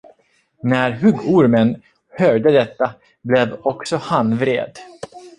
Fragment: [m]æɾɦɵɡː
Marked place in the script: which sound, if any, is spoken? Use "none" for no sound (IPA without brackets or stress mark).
n